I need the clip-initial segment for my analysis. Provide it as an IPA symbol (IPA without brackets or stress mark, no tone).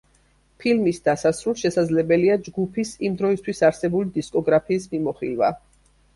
pʰ